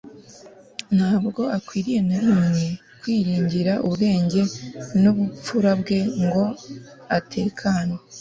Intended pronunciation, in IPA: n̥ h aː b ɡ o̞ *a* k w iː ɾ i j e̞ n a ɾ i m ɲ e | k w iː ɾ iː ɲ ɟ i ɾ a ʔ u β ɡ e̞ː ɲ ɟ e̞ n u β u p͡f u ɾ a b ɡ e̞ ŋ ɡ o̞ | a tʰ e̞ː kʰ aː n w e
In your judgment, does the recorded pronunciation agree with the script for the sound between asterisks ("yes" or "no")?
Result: yes